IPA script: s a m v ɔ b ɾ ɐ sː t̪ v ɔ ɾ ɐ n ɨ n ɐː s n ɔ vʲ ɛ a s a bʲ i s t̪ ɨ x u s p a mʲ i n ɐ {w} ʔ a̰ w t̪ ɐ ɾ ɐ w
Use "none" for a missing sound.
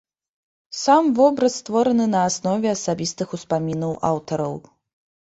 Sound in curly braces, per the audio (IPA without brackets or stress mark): w